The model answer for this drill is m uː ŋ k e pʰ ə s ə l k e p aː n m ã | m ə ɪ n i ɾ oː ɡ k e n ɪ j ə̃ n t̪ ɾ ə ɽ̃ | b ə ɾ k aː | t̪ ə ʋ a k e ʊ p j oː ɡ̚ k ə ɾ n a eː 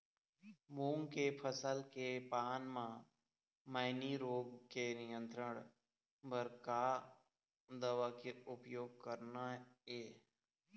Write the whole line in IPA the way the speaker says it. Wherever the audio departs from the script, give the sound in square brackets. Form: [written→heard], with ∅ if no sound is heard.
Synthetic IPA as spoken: m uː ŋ k e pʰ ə s ə l k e p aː n m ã | m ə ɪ n i ɾ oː ɡ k e n ɪ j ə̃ n t̪ ɾ ə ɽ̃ | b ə ɾ k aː | [t̪→d̪] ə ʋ a k e ʊ p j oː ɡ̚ k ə ɾ n a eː